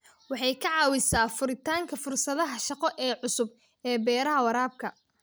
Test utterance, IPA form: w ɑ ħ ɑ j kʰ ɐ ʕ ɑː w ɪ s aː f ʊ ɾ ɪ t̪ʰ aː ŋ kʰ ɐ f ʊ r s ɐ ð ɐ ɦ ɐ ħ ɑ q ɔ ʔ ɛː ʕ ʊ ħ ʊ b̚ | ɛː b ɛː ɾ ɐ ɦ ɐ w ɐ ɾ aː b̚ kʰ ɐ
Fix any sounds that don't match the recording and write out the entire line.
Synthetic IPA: w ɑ ħ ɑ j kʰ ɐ ʕ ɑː w ɪ s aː f ʊ ɾ ɪ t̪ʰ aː ŋ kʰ ɐ f ʊ r s ɐ ð ɐ ɦ ɐ ʃ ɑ q ɔ ʔ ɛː ʕ ʊ s ʊ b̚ | ɛː b ɛː ɾ ɐ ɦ ɐ w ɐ ɾ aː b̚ kʰ ɐ